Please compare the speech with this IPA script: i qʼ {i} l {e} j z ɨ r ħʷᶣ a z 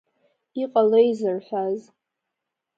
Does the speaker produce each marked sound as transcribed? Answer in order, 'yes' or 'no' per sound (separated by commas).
no, yes